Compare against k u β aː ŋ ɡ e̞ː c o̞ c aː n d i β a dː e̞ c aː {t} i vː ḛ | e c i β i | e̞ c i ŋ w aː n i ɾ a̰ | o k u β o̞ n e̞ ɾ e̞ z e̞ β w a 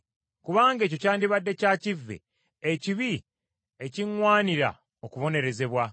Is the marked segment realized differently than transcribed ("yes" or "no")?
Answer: yes